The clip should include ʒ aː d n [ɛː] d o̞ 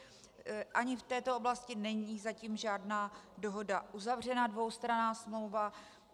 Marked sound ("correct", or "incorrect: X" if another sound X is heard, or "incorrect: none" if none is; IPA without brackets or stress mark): incorrect: aː